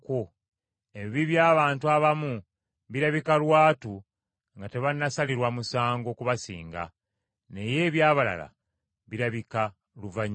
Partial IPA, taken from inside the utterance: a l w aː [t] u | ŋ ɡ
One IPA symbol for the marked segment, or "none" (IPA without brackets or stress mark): t